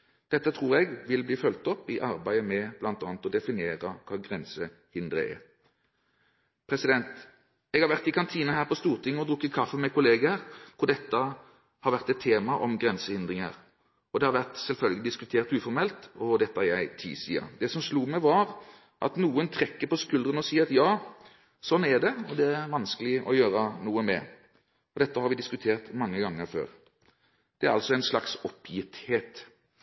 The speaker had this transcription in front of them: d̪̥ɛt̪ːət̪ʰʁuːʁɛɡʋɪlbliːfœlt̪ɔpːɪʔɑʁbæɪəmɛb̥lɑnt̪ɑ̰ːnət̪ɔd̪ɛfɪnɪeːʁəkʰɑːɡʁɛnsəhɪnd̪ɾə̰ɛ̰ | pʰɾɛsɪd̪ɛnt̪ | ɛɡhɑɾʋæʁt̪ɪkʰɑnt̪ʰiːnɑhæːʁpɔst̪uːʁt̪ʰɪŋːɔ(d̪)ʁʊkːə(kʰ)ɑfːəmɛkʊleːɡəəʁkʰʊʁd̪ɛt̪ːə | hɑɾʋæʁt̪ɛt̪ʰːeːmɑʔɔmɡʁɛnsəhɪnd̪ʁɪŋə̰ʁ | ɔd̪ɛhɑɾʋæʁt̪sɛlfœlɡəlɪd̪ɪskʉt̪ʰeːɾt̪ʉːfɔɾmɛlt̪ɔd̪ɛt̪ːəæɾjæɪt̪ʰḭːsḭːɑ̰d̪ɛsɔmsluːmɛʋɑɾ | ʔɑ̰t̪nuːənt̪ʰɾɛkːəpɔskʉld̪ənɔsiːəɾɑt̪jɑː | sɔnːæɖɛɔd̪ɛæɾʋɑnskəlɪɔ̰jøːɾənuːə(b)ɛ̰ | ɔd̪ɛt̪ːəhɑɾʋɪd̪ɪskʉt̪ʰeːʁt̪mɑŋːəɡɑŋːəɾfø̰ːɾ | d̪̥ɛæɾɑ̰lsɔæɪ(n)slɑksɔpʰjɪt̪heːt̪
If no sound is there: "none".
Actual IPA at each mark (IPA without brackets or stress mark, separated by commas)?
d̪, kʰ, m, n